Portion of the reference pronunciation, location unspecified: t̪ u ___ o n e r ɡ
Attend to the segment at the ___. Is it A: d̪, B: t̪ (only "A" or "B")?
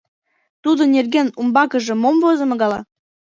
A